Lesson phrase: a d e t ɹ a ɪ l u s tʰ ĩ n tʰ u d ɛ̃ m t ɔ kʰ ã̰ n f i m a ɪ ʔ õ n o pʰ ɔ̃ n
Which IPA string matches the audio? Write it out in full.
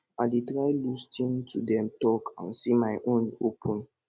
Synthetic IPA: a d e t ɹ a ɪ l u s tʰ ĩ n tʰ u d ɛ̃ m t ɔ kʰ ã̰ n s i m a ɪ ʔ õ n o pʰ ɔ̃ n